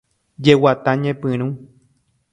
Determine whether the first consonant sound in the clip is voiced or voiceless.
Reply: voiced